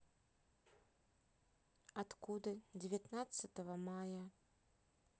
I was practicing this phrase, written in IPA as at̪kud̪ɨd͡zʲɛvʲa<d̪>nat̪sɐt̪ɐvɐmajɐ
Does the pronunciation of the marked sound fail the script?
yes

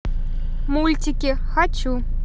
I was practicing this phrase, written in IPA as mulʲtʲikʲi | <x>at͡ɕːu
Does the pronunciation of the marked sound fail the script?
no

